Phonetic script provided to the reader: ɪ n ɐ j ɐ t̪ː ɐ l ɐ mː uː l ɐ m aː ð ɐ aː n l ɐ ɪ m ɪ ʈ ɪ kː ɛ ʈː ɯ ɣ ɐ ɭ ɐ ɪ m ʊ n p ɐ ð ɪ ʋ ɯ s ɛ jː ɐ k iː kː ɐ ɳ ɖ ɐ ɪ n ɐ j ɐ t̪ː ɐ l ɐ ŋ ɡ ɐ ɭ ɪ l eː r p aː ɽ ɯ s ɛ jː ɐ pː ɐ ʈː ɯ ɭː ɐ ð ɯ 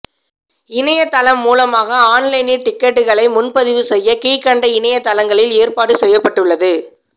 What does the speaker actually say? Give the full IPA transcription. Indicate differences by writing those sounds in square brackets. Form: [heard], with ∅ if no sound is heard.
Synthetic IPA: ɪ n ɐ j ɐ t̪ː ɐ l ɐ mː uː l ɐ m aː [ɣ] ɐ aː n l ɐ ɪ [n] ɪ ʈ ɪ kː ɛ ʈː ɯ ɣ ɐ ɭ ɐ ɪ m ʊ n p ɐ ð ɪ ʋ ɯ s ɛ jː ɐ k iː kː ɐ ɳ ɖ ɐ ɪ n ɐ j ɐ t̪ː ɐ l ɐ ŋ ɡ ɐ ɭ ɪ l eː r p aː ɽ ɯ s ɛ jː ɐ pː ɐ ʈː ɯ ɭː ɐ ð ɯ

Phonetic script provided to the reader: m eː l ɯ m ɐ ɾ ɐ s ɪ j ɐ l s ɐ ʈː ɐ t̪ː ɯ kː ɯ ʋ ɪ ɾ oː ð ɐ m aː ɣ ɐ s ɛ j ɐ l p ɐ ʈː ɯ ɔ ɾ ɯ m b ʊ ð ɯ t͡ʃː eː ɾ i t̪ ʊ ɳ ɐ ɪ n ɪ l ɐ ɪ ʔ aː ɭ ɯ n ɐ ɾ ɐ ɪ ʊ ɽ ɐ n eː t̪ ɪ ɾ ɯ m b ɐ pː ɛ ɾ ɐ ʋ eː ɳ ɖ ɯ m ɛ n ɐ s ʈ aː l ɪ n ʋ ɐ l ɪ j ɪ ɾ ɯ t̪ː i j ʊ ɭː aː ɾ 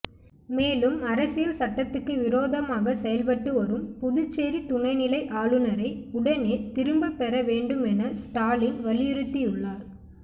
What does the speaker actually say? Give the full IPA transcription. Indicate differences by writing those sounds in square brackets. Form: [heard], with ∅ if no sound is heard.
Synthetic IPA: m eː l ɯ m ɐ ɾ ɐ s ɪ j ɐ l s ɐ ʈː ɐ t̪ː ɯ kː ɯ ʋ ɪ ɾ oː ð ɐ m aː ɣ ɐ s ɛ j ɐ l p ɐ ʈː ɯ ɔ ɾ ɯ m [p] ʊ ð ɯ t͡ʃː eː ɾ i t̪ ʊ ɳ ɐ ɪ n ɪ l ɐ ɪ ʔ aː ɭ ɯ n ɐ ɾ ɐ ɪ ʊ ɽ ɐ n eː t̪ ɪ ɾ ɯ m b ɐ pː ɛ ɾ ɐ ʋ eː ɳ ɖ ɯ m ɛ n ɐ s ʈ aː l ɪ n ʋ ɐ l ɪ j ɪ ɾ ɯ t̪ː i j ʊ ɭː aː ɾ

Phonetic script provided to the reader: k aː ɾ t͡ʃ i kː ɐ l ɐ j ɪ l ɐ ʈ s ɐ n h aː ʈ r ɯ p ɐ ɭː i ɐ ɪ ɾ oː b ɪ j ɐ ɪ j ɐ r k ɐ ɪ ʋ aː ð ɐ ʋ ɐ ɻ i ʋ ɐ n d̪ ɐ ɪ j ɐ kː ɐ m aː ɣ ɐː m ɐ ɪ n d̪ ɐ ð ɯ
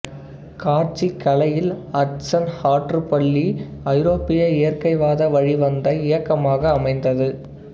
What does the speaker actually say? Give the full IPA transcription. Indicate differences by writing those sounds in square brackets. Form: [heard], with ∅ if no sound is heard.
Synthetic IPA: k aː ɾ t͡ʃ i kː ɐ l ɐ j ɪ l ɐ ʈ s ɐ n h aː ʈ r ɯ p ɐ ɭː i ɐ ɪ ɾ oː [p] ɪ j ɐ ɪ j ɐ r k ɐ ɪ ʋ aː ð ɐ ʋ ɐ ɻ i ʋ ɐ n d̪ ɐ ɪ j ɐ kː ɐ m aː ɣ ɐː m ɐ ɪ n d̪ ɐ ð ɯ

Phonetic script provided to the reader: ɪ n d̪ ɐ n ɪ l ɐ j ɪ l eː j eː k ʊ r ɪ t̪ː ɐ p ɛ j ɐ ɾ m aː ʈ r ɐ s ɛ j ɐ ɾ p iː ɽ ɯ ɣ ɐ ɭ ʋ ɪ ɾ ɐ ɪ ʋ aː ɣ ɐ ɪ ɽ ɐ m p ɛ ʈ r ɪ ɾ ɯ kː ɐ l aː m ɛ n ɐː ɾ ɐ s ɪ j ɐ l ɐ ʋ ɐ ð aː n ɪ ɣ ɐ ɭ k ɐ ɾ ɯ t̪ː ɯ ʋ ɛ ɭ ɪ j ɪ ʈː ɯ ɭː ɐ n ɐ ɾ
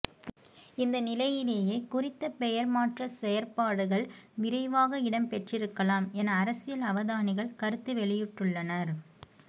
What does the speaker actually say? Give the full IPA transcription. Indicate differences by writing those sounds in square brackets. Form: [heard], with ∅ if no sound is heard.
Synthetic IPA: ɪ n d̪ ɐ n ɪ l ɐ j ɪ l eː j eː k ʊ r ɪ t̪ː ɐ p ɛ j ɐ ɾ m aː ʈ r ɐ s ɛ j ɐ ɾ p [aː] ɽ ɯ ɣ ɐ ɭ ʋ ɪ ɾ ɐ ɪ ʋ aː ɣ ɐ ɪ ɽ ɐ m p ɛ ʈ r ɪ ɾ ɯ kː ɐ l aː m ɛ n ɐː ɾ ɐ s ɪ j ɐ l ɐ ʋ ɐ ð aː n ɪ ɣ ɐ ɭ k ɐ ɾ ɯ t̪ː ɯ ʋ ɛ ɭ ɪ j ɪ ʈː ɯ ɭː ɐ n ɐ ɾ

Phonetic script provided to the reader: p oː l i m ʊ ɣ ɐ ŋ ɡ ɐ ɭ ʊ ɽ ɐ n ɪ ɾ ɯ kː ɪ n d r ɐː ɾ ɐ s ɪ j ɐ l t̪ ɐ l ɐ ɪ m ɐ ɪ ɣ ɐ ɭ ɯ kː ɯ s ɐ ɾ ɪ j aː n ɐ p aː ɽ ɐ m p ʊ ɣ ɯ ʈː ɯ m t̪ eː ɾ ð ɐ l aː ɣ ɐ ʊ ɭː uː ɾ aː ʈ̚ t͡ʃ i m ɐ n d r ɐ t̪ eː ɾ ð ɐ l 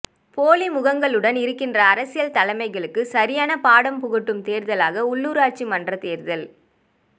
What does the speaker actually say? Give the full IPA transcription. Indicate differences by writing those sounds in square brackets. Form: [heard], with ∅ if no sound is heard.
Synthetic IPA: p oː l i m ʊ ɣ ɐ ŋ ɡ ɐ ɭ [ɯ] ɽ ɐ n ɪ ɾ ɯ kː ɪ n d r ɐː ɾ ɐ s ɪ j ɐ l t̪ ɐ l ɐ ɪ m ɐ ɪ ɣ ɐ ɭ ɯ kː ɯ s ɐ ɾ ɪ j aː n ɐ p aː ɽ ɐ m p ʊ ɣ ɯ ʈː ɯ m t̪ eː ɾ ð ɐ l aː ɣ ɐ ʊ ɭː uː ɾ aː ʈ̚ t͡ʃ i m ɐ n d r ɐ t̪ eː ɾ ð ɐ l

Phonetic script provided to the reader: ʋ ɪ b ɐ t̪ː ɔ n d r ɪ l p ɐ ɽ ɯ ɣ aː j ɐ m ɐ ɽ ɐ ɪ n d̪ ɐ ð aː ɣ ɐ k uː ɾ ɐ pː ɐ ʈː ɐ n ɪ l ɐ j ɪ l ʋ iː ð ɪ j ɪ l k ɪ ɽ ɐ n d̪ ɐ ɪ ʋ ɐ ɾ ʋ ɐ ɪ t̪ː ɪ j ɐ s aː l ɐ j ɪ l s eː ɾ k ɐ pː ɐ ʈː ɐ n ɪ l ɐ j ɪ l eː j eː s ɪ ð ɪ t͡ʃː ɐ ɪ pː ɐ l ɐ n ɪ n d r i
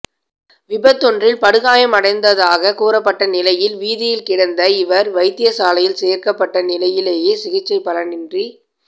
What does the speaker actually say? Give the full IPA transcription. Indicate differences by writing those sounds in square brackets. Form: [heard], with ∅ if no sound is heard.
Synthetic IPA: ʋ ɪ b ɐ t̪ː ɔ n d r ɪ l p ɐ ɽ ɯ ɣ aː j ɐ m ɐ ɽ ɐ ɪ n d̪ ɐ ð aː ɣ ɐ k uː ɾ ɐ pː ɐ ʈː ɐ n ɪ l ɐ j ɪ l ʋ iː ð ɪ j ɪ l k ɪ ɽ ɐ n d̪ ɐ ɪ ʋ ɐ ɾ ʋ ɐ ɪ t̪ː ɪ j ɐ s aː l ɐ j ɪ l s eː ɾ k ɐ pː ɐ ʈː ɐ n ɪ l ɐ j ɪ l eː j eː s ɪ [ɣ] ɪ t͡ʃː ɐ ɪ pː ɐ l ɐ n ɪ n d r i

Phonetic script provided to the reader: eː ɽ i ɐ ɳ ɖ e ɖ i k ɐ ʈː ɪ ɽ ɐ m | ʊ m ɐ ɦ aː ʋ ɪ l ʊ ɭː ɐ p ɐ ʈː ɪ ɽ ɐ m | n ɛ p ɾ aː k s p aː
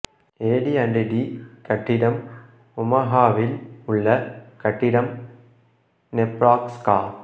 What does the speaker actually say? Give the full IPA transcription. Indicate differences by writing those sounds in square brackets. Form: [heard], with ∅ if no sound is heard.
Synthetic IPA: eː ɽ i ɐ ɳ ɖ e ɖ i k ɐ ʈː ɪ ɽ ɐ m | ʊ m ɐ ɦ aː ʋ ɪ l ʊ ɭː ɐ [k] ɐ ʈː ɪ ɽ ɐ m | n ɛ p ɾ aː k s [k] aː

